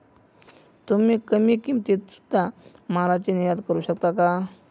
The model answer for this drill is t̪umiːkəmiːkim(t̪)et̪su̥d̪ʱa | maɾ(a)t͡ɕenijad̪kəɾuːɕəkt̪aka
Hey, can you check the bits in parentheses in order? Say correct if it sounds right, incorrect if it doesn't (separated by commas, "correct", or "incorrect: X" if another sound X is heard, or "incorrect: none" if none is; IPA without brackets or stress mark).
correct, correct